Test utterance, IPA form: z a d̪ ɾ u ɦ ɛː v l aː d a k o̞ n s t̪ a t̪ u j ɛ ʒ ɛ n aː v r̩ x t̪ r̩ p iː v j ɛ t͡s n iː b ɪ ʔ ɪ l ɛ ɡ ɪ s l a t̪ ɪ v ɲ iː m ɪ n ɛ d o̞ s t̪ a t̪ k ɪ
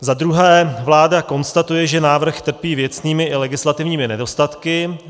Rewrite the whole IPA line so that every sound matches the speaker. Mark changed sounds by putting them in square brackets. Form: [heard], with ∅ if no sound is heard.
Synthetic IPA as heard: z a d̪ ɾ u ɦ ɛː v l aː d a k o̞ n s t̪ a t̪ u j ɛ ʒ ɛ n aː v r̩ x t̪ r̩ p iː v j ɛ t͡s n iː [m] ɪ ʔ ɪ l ɛ ɡ ɪ s l a t̪ ɪ v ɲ iː m ɪ n ɛ d o̞ s t̪ a t̪ k ɪ

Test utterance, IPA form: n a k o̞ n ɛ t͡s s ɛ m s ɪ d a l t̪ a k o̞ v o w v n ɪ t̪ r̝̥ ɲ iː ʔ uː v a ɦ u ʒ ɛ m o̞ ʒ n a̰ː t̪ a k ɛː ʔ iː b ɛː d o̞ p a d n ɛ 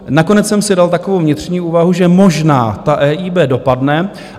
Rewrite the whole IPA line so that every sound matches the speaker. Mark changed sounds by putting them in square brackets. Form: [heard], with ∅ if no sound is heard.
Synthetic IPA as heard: n a k o̞ n ɛ t͡s s ɛ m s ɪ d a l t̪ a k o̞ v o w v [ɲ] ɪ t̪ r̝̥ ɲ iː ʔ uː v a ɦ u ʒ ɛ m o̞ ʒ n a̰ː t̪ a [ʔ] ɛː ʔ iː b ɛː d o̞ p a d n ɛ

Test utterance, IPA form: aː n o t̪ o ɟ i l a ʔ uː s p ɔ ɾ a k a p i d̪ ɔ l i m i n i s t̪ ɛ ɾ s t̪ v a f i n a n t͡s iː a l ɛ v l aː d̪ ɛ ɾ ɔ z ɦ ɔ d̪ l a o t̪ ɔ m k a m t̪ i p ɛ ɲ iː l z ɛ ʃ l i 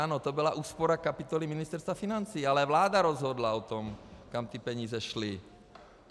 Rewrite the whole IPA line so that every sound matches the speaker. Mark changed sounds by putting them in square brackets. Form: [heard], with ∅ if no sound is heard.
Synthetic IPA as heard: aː n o t̪ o [b] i l a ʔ uː s p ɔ ɾ a k a p i [t̪] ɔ l i m i n i s t̪ ɛ ɾ s t̪ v a f i n a n t͡s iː a l ɛ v l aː d̪ [a] ɾ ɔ z ɦ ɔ d̪ l a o t̪ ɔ m k a m t̪ i p ɛ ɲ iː [∅] z ɛ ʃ l i

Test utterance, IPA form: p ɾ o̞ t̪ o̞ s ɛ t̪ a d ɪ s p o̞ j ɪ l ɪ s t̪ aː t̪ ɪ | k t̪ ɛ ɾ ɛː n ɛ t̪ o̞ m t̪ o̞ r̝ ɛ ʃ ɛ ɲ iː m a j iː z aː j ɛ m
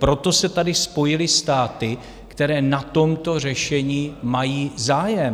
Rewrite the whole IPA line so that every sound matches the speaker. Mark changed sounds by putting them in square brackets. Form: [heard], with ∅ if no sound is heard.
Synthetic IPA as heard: p ɾ o̞ t̪ o̞ s ɛ t̪ a d ɪ s p o̞ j ɪ l ɪ s t̪ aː t̪ ɪ | k t̪ ɛ ɾ ɛː n [a] t̪ o̞ m t̪ o̞ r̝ ɛ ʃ ɛ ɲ iː m a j iː z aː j ɛ m

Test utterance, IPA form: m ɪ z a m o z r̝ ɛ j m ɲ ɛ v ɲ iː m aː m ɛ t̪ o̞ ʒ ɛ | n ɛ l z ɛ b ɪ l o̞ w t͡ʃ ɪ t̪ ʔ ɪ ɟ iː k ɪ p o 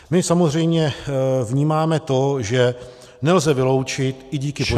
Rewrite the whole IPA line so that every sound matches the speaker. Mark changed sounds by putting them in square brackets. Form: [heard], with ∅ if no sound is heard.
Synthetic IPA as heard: m ɪ [s] a m o z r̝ ɛ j m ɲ ɛ v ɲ iː m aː m ɛ t̪ o̞ ʒ ɛ | n ɛ l z ɛ [v] ɪ l o̞ w t͡ʃ ɪ t̪ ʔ ɪ ɟ iː k ɪ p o

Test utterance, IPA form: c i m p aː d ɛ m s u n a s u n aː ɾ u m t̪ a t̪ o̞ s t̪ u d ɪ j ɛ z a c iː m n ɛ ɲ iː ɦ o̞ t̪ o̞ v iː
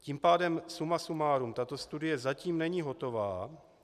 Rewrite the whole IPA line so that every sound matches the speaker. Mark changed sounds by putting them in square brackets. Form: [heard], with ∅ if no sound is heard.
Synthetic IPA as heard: c i m p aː d ɛ m s u [m] a s u [m] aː ɾ u m t̪ a t̪ o̞ s t̪ u d ɪ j ɛ z a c iː m n ɛ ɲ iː ɦ o̞ t̪ o̞ v [aː]

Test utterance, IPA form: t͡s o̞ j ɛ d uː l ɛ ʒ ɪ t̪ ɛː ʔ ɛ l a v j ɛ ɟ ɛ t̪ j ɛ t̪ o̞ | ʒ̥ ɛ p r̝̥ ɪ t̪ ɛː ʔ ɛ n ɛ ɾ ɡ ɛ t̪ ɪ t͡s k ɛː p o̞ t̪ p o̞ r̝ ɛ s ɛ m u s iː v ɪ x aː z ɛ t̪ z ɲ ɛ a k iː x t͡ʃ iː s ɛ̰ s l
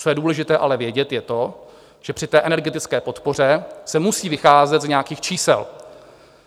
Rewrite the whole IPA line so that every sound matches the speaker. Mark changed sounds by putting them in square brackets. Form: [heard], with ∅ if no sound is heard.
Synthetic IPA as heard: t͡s o̞ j ɛ d uː l ɛ ʒ ɪ t̪ ɛː ʔ [a] l [ɛ] v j ɛ ɟ ɛ t̪ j ɛ t̪ o̞ | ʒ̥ ɛ p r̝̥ ɪ t̪ ɛː ʔ ɛ n ɛ ɾ ɡ ɛ t̪ ɪ t͡s k ɛː p o̞ t̪ p o̞ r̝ ɛ s ɛ m u s iː v ɪ x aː z ɛ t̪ z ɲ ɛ a k iː x t͡ʃ iː s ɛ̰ [∅] l

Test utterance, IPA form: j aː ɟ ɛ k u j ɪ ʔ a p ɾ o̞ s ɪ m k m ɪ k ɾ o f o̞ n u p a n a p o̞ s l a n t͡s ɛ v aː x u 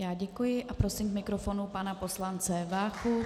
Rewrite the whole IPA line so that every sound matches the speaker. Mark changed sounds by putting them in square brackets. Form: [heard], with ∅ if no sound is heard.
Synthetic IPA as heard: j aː ɟ ɛ k u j ɪ ʔ a p ɾ o̞ s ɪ m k m ɪ k ɾ o f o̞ n u p a n a p o̞ s l a n t͡s ɛ v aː x u

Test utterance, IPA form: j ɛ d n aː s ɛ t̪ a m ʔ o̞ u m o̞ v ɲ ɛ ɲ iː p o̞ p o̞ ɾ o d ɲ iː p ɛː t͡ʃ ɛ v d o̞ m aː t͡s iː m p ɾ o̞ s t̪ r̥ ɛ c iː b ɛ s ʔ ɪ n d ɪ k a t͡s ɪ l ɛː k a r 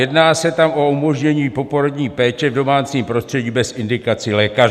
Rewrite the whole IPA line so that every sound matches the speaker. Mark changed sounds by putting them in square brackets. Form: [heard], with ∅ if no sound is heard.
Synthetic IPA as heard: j ɛ d n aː s ɛ t̪ a m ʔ o̞ u m o̞ [ʒ] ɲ ɛ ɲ iː p o̞ p o̞ ɾ o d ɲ iː p ɛː t͡ʃ ɛ v d o̞ m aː t͡s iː m p ɾ o̞ s t̪ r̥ ɛ [ɟ] iː b ɛ s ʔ ɪ n d ɪ k a t͡s ɪ l ɛː k a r

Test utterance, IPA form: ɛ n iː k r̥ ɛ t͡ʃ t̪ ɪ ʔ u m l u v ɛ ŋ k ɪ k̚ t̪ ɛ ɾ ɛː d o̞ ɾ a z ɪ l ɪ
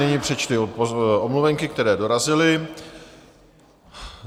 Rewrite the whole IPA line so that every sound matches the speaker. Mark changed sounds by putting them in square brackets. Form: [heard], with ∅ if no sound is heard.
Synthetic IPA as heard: ɛ [ɲ] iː [p] r̥ ɛ t͡ʃ t̪ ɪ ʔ [o] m l u v ɛ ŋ k ɪ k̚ t̪ ɛ ɾ ɛː d o̞ ɾ a z ɪ l ɪ

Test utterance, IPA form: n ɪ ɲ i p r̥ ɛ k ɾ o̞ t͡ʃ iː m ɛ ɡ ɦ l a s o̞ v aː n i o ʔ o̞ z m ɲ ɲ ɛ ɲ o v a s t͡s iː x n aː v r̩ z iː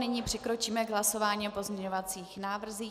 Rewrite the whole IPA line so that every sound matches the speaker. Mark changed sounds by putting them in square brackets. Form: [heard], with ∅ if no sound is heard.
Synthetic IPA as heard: n ɪ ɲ i p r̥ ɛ k ɾ o̞ t͡ʃ iː m ɛ ɡ ɦ l a s o̞ v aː [ɲ] i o [p] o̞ z m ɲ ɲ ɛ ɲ o v a [∅] t͡s iː x n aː v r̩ z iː

